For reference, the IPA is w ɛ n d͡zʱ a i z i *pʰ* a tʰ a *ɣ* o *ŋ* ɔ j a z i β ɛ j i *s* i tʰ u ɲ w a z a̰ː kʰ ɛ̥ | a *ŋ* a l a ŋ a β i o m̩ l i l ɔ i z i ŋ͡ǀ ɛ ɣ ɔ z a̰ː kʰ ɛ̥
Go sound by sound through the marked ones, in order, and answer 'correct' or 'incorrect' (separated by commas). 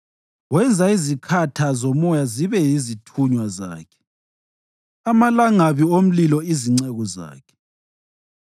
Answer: incorrect, incorrect, incorrect, incorrect, incorrect